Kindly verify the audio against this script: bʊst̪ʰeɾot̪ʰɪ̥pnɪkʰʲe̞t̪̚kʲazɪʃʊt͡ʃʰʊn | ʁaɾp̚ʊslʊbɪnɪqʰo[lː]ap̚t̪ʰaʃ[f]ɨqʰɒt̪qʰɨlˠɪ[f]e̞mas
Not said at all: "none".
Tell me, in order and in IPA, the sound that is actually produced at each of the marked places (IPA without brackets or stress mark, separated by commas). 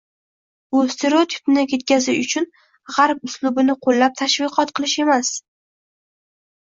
lː, v, ʃ